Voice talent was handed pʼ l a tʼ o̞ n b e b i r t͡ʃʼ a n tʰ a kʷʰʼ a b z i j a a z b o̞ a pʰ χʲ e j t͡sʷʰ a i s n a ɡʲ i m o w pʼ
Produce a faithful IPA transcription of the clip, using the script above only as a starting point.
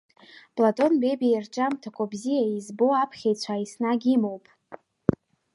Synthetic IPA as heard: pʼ l a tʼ o̞ n b e b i r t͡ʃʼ a m tʰ a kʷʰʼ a b z i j a i z b o̞ a pʰ χʲ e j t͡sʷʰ a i s n a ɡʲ i m o w pʼ